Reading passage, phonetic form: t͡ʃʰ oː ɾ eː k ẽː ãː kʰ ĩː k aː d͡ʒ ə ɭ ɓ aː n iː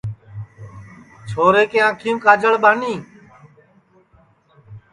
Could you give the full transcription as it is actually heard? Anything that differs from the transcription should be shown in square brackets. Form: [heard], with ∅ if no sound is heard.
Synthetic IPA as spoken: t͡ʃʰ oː ɾ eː k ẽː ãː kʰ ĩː k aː d͡ʒ ə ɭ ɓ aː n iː